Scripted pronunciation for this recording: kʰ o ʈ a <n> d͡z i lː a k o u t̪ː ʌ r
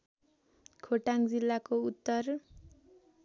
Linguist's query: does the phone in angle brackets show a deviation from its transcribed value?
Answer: yes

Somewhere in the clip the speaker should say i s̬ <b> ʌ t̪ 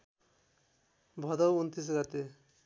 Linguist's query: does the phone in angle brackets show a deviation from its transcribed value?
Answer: yes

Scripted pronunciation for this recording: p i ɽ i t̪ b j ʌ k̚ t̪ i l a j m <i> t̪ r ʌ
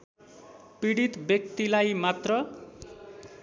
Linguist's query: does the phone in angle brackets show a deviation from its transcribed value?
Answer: yes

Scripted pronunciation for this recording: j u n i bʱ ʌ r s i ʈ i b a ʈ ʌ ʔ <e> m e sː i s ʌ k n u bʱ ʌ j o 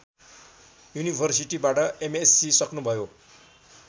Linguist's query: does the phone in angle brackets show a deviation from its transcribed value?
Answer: no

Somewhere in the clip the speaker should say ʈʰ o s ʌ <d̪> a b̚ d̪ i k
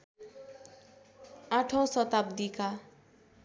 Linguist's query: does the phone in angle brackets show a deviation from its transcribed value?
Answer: yes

